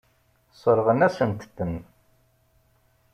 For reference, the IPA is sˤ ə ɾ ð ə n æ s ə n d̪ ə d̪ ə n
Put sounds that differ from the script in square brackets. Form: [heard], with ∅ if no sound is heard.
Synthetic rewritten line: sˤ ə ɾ [ʁ] ə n æ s ə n [t̪] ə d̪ ə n